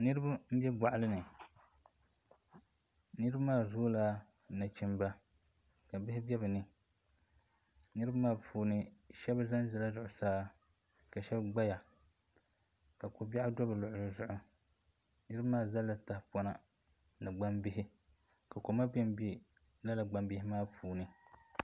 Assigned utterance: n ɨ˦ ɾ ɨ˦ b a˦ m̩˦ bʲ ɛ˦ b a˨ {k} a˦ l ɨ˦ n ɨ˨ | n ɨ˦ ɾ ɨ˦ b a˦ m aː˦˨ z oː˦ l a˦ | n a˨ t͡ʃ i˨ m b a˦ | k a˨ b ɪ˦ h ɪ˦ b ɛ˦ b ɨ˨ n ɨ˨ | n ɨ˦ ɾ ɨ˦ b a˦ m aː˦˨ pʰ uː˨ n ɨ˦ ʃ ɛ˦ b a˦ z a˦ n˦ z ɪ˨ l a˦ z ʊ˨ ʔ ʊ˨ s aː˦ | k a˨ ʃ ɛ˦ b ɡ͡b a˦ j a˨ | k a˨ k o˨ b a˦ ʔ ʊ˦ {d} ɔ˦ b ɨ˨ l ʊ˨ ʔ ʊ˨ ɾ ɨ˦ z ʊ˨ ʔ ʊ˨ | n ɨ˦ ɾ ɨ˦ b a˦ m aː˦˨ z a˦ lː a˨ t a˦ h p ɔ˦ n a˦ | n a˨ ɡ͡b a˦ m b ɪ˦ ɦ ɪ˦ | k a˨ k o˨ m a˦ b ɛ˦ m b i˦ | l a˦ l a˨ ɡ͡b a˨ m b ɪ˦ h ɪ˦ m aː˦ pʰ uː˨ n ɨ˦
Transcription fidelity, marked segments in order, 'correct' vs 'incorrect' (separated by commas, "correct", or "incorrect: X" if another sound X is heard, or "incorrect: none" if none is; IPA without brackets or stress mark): incorrect: ʔ, correct